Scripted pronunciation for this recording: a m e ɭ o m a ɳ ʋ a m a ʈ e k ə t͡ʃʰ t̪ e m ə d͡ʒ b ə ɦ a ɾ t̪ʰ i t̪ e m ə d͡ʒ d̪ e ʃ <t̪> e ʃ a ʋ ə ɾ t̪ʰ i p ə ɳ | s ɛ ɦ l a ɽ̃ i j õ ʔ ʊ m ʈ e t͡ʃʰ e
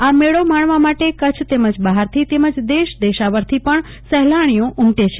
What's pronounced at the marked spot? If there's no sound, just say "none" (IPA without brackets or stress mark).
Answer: d̪